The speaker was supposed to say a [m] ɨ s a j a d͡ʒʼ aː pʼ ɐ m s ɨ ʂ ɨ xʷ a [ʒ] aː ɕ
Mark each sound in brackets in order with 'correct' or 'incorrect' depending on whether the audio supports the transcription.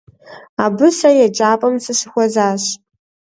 incorrect: b, incorrect: z

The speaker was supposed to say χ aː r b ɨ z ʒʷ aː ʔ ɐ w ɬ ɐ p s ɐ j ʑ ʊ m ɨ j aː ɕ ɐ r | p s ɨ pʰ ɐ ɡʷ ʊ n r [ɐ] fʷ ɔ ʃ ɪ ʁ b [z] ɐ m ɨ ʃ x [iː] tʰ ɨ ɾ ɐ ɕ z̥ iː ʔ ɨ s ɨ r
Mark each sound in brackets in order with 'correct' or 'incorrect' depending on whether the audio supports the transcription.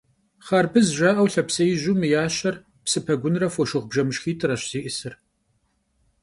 correct, incorrect: ʒ, correct

